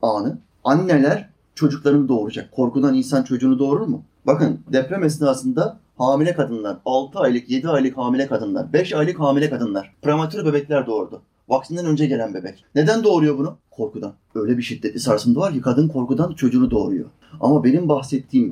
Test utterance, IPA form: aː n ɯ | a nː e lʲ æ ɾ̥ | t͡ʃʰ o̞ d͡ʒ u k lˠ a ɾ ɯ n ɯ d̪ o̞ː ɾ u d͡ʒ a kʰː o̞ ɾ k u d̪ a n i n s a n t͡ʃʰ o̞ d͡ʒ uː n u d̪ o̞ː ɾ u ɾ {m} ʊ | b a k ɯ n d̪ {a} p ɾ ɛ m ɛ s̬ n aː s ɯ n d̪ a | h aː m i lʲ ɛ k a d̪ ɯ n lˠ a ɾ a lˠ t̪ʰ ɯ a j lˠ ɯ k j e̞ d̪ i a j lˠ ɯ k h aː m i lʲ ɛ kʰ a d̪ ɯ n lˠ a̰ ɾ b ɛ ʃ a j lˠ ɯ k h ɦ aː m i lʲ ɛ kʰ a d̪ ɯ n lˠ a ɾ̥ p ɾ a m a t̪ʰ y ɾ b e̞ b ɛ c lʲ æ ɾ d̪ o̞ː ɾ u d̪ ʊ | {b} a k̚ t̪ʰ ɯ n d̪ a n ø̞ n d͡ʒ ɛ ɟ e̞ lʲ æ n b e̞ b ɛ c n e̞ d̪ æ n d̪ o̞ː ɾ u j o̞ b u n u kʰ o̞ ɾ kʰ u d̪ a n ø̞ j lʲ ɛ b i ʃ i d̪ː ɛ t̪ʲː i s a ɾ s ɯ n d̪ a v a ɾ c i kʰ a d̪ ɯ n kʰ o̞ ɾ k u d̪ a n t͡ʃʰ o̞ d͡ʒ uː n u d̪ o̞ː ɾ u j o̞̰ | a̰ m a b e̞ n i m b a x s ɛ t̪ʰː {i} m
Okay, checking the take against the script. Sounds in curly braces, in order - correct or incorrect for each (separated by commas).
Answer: correct, incorrect, incorrect, incorrect